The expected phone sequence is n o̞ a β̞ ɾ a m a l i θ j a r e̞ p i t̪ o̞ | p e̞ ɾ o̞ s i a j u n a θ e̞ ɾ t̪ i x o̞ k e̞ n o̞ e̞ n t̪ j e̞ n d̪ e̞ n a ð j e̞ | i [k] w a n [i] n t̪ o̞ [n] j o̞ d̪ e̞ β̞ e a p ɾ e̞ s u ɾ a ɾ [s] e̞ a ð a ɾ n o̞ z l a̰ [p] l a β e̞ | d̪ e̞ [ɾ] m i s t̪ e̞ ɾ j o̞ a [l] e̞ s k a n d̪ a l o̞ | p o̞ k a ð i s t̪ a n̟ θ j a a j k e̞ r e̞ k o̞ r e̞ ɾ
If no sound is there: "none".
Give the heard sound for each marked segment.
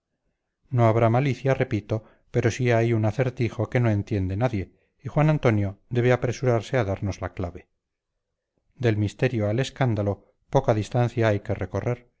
x, a, n, s, k, l, l

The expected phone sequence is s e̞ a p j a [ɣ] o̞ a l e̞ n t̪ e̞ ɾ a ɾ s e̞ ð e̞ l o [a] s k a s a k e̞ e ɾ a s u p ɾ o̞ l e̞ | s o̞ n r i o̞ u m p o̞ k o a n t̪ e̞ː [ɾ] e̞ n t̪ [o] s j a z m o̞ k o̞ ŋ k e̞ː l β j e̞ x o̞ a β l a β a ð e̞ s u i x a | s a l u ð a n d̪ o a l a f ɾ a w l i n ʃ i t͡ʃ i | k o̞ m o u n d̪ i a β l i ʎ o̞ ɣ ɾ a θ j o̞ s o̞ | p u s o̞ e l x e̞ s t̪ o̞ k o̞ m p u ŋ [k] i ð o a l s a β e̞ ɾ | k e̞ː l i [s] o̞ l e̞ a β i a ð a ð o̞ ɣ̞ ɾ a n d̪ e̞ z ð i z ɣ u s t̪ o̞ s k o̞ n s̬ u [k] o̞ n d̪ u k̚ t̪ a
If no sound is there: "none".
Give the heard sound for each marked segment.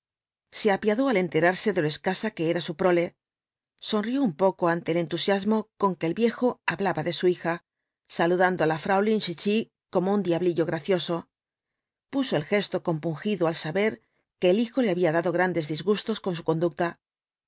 ð, e, l, u, x, x, k

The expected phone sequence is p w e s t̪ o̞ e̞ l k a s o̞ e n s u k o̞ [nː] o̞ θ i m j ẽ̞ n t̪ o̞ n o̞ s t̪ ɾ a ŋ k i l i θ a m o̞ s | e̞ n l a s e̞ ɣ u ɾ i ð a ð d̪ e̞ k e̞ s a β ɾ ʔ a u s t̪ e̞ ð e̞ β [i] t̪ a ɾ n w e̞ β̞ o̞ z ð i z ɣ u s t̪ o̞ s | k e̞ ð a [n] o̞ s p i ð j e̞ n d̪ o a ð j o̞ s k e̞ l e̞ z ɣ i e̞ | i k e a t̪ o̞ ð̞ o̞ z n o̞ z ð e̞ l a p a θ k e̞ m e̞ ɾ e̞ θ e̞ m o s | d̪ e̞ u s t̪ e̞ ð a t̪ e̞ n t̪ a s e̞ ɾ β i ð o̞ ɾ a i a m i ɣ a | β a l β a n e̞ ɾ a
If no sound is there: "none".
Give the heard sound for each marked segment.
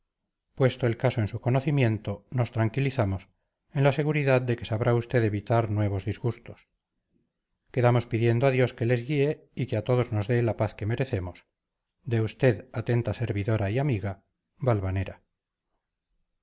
n, i, m

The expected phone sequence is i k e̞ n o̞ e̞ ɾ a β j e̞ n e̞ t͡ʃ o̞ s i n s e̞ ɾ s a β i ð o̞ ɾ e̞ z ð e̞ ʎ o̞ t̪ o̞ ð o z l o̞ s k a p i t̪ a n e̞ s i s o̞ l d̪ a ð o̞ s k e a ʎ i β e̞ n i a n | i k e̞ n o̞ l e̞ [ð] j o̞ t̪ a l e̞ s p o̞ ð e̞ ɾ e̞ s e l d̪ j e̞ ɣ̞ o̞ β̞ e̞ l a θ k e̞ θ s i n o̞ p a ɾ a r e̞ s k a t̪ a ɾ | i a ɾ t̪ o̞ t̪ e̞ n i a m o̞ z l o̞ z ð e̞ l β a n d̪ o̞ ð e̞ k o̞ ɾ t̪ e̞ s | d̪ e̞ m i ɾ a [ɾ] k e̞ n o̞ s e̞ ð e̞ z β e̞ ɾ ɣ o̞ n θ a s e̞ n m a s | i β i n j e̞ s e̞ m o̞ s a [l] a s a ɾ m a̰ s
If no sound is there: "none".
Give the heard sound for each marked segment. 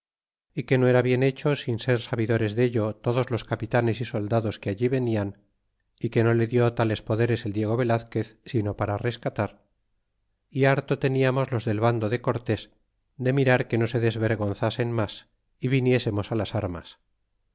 ð, ɾ, l

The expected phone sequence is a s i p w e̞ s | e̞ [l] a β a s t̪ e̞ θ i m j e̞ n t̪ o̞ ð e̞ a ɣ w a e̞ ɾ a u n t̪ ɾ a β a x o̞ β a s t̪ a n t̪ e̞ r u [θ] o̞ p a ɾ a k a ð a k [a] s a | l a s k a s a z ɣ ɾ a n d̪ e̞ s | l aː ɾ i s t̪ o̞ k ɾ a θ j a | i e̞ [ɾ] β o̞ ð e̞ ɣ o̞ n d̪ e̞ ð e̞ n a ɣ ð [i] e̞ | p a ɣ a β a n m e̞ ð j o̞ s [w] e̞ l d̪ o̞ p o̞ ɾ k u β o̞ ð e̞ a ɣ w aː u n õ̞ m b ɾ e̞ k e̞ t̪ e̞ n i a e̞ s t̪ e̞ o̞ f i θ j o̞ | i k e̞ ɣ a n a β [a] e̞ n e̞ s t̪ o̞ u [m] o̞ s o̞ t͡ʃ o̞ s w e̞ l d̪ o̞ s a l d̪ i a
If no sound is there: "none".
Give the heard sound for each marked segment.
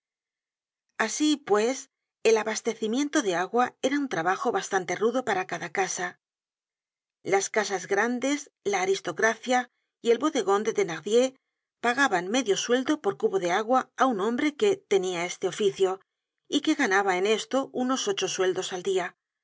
l, ð, a, l, j, w, a, n

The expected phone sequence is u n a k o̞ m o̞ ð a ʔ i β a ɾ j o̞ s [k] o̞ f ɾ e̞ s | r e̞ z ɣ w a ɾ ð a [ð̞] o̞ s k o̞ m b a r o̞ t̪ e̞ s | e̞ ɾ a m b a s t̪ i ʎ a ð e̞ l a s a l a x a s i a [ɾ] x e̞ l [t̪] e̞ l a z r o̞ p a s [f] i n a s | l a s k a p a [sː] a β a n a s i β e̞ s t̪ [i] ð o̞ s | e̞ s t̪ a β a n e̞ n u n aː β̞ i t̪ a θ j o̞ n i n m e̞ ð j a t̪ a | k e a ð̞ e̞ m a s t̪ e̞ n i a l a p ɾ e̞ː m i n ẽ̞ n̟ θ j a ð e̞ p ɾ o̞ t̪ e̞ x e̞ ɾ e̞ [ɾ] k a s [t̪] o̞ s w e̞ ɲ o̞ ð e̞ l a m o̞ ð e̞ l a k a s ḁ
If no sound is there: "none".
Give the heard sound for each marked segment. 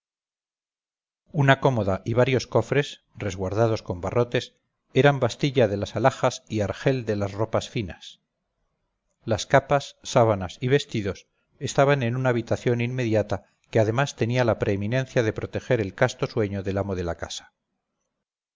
k, ð̞, ɾ, d̪, f, sː, i, l, t̪

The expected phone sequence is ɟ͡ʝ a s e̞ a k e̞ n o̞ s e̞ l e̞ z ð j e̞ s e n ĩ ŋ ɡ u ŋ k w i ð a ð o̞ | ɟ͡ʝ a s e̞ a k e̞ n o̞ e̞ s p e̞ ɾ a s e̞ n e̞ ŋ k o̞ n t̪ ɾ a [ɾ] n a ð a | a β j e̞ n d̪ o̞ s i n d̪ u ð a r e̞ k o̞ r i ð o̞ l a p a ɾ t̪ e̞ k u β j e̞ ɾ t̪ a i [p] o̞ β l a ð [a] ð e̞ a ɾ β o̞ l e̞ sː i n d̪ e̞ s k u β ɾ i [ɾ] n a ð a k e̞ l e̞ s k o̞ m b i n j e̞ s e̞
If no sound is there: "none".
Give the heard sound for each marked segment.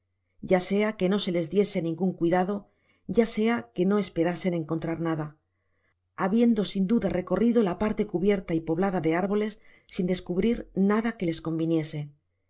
ɾ, p, a, ɾ

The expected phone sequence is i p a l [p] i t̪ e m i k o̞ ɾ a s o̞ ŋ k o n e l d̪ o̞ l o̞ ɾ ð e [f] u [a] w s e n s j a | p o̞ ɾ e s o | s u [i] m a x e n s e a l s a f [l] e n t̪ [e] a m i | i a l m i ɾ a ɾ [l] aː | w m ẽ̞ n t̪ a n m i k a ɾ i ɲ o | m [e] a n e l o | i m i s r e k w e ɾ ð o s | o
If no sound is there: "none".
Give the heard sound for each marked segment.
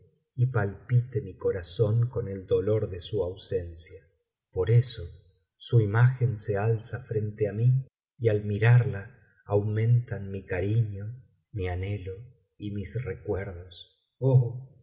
p, s, a, i, ɾ, e, l, i

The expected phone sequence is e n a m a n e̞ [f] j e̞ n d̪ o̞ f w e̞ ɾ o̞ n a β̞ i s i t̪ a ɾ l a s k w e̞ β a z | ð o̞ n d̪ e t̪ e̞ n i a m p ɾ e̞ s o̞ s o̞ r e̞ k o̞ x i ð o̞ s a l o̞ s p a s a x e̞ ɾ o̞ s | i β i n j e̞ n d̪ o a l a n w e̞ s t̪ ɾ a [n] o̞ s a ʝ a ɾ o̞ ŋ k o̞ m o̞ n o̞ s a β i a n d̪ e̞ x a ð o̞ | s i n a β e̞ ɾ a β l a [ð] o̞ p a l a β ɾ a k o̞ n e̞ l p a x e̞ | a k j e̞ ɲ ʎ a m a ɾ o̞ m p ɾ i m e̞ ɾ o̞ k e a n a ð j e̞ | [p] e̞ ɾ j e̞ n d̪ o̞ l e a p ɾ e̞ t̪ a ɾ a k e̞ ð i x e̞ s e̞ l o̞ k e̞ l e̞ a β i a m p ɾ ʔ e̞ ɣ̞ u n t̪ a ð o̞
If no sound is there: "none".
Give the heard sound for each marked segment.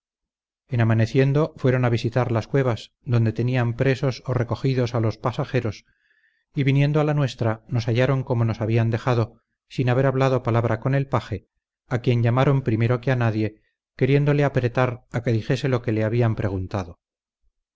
θ, n, ð, k

